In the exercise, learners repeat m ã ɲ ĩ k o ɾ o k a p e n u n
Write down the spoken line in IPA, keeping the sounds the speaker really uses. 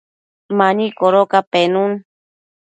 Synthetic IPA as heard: m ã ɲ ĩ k o ɾ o k a p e n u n